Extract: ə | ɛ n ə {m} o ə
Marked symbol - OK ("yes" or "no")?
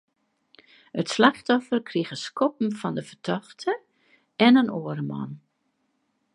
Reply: no